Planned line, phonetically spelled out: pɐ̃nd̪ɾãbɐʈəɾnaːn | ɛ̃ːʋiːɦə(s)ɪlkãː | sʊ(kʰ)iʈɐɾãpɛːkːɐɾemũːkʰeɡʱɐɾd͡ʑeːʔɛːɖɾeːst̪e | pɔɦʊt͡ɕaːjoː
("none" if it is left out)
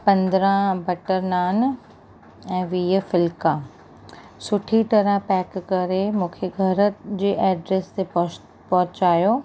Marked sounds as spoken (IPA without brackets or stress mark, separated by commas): f, ʈʰ